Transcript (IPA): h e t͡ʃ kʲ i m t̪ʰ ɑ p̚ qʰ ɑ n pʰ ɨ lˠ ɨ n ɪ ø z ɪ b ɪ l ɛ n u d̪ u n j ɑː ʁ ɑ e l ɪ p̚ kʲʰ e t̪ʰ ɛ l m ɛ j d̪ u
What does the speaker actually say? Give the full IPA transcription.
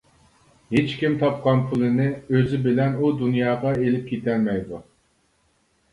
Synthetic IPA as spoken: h e t͡ʃ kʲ i m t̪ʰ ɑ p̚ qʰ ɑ n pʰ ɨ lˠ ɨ n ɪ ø z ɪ b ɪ l ɛ n u d̪ u n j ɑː ʁ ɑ e l ɪ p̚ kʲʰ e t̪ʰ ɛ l m ɛ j d̪ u